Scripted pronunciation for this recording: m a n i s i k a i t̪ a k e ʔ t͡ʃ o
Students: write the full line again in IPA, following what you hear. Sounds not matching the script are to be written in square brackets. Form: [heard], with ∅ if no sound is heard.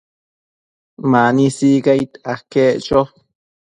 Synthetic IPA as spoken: m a n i s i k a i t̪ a k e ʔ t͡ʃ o

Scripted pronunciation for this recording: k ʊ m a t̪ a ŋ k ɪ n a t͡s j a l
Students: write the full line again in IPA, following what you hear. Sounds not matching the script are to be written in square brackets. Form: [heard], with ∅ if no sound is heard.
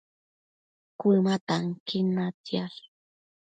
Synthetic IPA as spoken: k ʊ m a t̪ a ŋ k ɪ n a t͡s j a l

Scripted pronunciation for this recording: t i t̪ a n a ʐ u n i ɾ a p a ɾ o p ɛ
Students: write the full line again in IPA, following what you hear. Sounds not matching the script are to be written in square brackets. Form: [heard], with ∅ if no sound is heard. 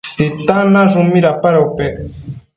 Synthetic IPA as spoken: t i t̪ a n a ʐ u [m] i ɾ a p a ɾ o p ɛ

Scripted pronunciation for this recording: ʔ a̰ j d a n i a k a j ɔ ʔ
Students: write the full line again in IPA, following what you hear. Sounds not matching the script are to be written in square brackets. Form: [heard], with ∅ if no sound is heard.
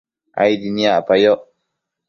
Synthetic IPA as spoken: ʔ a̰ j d [i] n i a [p] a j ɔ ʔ

